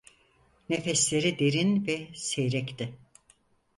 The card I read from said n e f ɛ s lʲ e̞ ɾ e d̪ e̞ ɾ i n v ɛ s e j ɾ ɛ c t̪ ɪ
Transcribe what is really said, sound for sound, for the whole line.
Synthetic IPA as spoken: n e f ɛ s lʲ e̞ ɾ i d̪ e̞ ɾ i n v ɛ s e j ɾ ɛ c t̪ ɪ